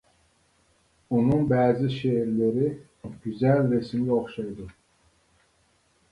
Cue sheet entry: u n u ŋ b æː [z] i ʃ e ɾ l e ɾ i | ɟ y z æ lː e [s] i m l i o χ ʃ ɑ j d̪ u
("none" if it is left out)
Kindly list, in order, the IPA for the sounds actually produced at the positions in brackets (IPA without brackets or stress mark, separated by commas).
z, s